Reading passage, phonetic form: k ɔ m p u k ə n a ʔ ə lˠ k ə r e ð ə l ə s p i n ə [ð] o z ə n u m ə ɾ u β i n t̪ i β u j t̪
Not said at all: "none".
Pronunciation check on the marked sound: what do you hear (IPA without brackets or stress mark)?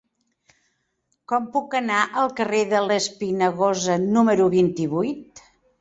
ɣ